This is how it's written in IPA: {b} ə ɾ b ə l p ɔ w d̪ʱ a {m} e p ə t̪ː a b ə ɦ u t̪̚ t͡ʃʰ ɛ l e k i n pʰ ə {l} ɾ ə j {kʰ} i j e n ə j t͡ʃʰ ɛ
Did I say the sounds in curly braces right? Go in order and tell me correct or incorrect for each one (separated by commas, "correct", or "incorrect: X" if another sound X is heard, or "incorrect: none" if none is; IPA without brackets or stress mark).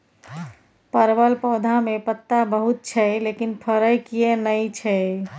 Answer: incorrect: p, correct, incorrect: none, incorrect: k